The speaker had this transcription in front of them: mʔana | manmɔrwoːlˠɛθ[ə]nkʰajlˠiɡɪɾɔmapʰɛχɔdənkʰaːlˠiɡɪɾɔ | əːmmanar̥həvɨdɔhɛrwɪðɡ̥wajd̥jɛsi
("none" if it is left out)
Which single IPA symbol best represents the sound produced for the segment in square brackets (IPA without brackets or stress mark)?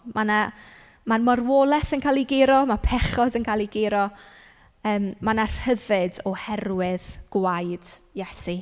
ə